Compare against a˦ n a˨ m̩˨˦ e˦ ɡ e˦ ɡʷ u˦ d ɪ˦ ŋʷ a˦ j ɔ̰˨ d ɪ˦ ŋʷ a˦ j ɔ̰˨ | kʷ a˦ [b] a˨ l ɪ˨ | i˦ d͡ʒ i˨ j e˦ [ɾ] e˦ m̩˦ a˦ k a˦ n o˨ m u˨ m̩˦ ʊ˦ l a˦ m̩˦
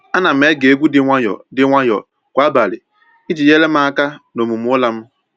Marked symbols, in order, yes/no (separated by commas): yes, no